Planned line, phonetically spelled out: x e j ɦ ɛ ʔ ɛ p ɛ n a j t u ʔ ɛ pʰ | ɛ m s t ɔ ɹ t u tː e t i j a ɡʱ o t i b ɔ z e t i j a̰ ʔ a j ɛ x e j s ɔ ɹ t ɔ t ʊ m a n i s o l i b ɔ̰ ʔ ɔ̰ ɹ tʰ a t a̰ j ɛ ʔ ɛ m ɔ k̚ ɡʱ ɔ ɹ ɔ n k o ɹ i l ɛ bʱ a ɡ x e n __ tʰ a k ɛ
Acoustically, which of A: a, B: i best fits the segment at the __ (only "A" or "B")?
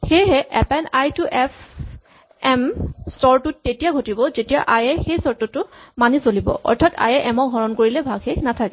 A